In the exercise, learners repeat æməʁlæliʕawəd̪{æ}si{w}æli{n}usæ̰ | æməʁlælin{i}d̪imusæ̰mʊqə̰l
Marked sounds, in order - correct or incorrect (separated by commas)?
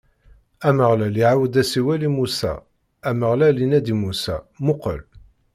correct, correct, incorrect, incorrect